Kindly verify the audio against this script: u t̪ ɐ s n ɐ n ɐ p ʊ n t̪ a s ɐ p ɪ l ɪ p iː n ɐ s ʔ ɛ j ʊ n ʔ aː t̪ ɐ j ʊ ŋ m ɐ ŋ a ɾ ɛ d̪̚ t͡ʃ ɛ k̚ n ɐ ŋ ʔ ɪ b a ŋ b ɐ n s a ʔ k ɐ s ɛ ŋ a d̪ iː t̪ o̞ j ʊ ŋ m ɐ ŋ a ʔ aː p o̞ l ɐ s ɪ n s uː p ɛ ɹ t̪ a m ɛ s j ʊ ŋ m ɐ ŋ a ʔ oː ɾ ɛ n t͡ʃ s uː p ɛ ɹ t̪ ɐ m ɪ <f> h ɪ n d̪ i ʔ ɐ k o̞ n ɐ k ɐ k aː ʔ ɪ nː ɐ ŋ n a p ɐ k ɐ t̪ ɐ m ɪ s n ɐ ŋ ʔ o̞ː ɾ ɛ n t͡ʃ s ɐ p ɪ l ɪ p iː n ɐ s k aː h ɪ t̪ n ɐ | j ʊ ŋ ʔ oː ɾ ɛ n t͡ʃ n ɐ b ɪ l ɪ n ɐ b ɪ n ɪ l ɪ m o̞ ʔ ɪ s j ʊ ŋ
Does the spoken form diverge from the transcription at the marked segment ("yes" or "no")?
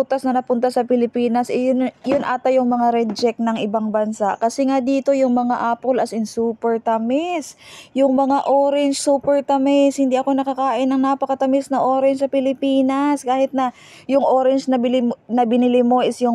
yes